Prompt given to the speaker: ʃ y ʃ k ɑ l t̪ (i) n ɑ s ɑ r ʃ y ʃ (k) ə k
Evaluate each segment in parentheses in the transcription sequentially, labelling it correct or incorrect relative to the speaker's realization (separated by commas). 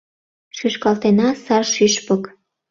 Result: incorrect, incorrect